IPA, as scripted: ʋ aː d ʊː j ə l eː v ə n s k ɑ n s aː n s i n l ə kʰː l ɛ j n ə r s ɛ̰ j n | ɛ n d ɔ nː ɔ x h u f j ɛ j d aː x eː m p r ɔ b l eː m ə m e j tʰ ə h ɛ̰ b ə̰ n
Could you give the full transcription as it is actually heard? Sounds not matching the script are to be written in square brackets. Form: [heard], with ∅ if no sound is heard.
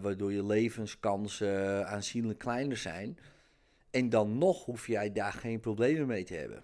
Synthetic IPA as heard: ʋ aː d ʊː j ə l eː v ə n s k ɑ n s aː n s i n l ə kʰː l ɛ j n ə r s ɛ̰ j n | ɛ n d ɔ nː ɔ x h u f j ɛ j d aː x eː [n] p r [o] b l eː m ə m e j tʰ ə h ɛ̰ b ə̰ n